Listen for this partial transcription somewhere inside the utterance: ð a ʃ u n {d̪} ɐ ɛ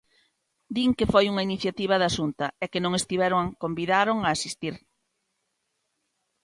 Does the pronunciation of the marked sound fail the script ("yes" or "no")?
yes